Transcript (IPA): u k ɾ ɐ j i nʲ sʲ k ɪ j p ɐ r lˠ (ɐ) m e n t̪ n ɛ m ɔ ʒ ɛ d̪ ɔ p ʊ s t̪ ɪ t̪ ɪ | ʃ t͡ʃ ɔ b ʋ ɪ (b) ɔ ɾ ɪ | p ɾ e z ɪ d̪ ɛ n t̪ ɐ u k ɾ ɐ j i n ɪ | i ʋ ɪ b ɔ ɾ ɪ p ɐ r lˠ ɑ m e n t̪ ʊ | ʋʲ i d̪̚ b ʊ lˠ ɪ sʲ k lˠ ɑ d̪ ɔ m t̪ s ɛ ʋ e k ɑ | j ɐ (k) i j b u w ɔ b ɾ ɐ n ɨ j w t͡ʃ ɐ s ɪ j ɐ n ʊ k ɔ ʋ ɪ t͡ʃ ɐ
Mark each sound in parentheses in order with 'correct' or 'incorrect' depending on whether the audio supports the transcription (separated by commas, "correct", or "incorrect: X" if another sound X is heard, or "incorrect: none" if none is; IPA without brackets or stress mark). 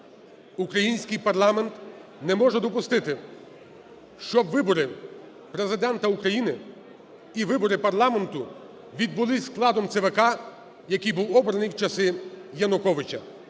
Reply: incorrect: ɑ, correct, correct